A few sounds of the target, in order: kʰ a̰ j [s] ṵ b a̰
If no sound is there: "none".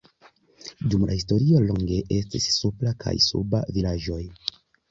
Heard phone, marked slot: s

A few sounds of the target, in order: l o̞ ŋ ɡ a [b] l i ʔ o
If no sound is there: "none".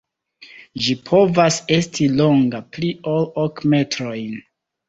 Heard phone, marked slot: p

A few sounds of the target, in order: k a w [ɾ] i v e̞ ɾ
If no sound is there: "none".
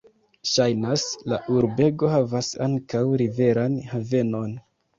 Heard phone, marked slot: ɾ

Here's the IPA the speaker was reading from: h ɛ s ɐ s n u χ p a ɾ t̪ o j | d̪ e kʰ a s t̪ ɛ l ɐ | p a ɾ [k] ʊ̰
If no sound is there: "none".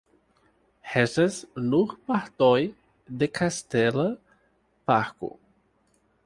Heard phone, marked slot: k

